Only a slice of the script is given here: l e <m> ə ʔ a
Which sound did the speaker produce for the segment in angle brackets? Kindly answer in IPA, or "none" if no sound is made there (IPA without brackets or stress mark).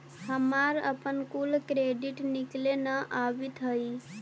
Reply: n